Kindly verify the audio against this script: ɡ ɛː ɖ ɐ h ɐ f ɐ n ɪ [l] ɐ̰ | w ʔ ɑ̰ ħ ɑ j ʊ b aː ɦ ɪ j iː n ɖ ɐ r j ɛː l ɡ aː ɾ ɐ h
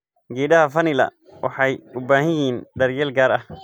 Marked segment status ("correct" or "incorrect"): correct